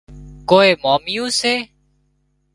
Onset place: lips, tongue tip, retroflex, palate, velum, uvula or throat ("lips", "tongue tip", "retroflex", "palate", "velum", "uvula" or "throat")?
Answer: velum